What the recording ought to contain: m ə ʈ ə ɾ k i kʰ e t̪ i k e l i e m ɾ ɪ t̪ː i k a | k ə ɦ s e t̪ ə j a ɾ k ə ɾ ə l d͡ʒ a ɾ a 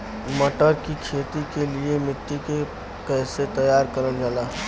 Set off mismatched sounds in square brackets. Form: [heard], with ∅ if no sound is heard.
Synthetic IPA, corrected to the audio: m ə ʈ ə ɾ k i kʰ e t̪ i k e l i e m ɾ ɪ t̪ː i k [e] | k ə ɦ s e t̪ ə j a ɾ k ə ɾ ə l d͡ʒ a [l] a